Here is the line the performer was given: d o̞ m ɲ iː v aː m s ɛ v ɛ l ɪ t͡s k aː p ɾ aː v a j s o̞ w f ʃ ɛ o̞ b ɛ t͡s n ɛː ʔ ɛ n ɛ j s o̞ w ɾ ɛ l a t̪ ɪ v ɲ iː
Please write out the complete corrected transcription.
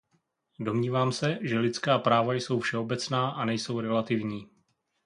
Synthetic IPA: d o̞ m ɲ iː v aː m s ɛ ʒ ɛ l ɪ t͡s k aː p ɾ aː v a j s o̞ w f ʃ ɛ o̞ b ɛ t͡s n aː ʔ a n ɛ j s o̞ w ɾ ɛ l a t̪ ɪ v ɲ iː